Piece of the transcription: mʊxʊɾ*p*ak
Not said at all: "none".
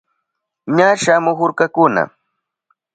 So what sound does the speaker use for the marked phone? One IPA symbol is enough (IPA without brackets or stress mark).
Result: k